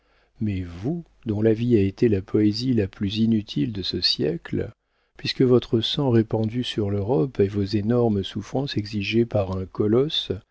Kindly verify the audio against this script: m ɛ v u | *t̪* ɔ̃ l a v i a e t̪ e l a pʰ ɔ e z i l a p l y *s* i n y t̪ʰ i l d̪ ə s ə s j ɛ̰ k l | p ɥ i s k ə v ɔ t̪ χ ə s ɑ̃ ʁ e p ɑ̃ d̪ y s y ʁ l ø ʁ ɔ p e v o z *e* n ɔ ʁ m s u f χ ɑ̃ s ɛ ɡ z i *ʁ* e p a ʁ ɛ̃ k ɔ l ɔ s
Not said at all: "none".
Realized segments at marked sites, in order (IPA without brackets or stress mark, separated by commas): d̪, z, e, ʒ